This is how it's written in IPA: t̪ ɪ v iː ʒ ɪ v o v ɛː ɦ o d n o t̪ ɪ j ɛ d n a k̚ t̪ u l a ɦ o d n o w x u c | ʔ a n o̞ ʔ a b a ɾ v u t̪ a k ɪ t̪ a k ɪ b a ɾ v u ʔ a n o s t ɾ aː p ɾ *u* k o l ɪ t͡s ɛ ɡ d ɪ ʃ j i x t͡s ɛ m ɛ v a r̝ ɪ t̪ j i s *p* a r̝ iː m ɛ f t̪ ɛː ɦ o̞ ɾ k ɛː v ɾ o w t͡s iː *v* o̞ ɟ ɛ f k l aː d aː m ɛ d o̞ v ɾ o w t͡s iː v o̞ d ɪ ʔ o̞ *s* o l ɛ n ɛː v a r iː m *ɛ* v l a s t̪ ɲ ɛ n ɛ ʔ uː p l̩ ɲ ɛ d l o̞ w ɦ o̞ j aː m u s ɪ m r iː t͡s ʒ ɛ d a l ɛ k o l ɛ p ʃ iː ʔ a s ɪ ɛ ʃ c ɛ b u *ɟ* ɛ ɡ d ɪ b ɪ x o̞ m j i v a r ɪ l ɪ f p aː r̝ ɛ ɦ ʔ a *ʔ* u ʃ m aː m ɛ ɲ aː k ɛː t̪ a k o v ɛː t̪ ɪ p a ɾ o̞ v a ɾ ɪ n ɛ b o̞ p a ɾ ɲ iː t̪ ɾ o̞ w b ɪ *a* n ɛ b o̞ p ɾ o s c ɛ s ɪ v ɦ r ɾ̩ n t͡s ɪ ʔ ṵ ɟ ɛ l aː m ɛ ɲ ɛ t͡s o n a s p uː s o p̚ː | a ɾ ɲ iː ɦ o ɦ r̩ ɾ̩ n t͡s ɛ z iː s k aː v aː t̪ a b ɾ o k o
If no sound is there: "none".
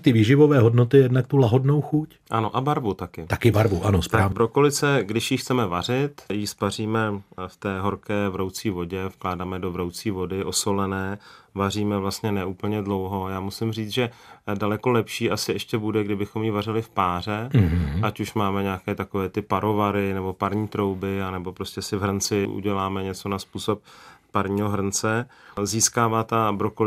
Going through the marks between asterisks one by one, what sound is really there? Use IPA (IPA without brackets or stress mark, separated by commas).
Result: o, p, v, s, ɛ, d, c, a